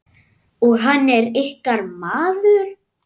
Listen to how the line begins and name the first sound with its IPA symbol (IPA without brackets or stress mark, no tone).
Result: ɔ